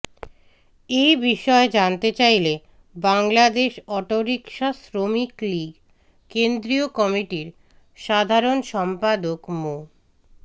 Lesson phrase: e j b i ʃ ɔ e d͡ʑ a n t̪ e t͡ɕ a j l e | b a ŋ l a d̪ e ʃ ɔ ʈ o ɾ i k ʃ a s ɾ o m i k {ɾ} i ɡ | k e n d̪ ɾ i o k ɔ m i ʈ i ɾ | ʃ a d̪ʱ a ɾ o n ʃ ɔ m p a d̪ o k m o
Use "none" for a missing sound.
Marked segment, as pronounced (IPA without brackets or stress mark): l